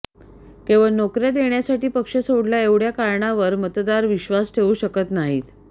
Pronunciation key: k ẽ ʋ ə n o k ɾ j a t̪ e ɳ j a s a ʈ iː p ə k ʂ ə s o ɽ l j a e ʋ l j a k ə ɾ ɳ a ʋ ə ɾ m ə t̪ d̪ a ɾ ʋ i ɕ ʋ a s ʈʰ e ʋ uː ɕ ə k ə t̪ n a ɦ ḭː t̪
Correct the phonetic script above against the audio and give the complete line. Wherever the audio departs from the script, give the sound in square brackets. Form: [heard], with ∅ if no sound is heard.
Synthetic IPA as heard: k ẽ ʋ ə n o k ɾ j a [d̪] e ɳ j a s a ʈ iː p ə k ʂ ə s o ɽ l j a e ʋ [ɽ] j a k [a] ɾ ɳ a ʋ ə ɾ m ə t̪ d̪ a ɾ ʋ i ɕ ʋ a s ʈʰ e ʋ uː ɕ ə k ə t̪ n a ɦ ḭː t̪